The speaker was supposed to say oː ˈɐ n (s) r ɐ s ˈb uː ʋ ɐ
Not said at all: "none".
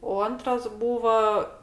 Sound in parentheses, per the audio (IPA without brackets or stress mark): t